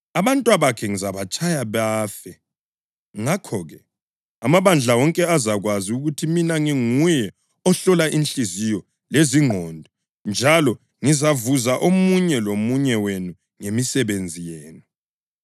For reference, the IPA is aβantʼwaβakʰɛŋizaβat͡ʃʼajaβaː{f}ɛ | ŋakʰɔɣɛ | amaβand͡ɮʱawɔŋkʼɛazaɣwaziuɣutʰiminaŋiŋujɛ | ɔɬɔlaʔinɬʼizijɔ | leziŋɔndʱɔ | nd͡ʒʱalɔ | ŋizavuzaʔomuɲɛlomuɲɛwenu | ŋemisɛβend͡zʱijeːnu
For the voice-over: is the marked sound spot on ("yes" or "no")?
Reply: yes